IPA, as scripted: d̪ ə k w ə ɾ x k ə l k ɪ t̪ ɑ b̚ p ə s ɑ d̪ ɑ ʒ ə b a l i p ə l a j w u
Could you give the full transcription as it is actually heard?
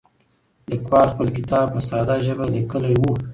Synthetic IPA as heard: d̪ ə k w ɑ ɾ x p ə l k ɪ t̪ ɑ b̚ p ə s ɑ d̪ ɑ ʒ ə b a l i k ə l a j w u